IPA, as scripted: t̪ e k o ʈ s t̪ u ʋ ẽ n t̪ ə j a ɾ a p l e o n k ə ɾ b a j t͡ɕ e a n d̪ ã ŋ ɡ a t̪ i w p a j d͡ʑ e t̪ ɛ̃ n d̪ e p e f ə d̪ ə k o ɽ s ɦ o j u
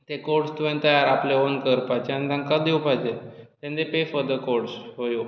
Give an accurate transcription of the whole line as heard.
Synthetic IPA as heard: t̪ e k o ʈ s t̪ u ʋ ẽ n t̪ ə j a ɾ a p l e o n k ə ɾ p a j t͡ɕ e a n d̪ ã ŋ k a d̪ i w p a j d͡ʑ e t̪ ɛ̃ n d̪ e p e f ə d̪ ə k o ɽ s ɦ o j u